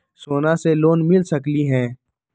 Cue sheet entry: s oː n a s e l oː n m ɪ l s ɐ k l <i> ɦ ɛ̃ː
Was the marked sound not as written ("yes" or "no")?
no